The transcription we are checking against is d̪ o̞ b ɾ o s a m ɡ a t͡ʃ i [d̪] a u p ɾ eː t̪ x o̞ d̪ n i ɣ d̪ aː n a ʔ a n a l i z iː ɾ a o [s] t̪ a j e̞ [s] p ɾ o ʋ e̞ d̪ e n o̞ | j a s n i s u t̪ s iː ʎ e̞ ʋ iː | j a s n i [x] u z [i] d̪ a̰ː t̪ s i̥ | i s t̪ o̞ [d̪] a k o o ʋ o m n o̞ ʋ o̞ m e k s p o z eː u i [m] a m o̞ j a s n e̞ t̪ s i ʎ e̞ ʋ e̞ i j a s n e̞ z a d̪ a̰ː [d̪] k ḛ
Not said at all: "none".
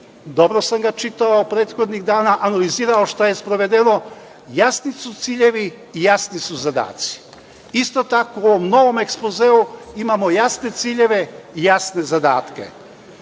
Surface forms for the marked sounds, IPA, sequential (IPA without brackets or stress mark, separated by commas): t̪, ʃ, s, s, a, t̪, m, t̪